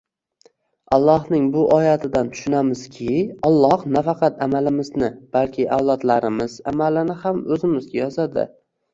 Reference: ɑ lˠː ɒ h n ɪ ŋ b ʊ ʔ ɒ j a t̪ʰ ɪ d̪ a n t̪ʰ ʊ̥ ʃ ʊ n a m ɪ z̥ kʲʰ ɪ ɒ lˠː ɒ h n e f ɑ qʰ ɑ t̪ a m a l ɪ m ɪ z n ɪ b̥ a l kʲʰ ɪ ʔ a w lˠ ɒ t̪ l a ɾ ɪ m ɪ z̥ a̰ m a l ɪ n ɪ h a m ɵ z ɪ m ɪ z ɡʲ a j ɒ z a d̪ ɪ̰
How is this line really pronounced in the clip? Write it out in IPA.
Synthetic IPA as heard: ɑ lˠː ɒ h n ɪ ŋ b ʊ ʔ ɒ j a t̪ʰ ɪ d̪ a n t̪ʰ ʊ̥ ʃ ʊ n a m ɪ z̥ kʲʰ ɪ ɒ lˠː ɒ h n a f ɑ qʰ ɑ t̪ a m a l ɪ m ɪ z n ɪ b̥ a l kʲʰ ɪ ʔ a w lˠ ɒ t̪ l a ɾ ɪ m ɪ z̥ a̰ m a l ɪ n ɪ h a m ɵ z ɪ m ɪ z ɡʲ a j ɒ z a d̪ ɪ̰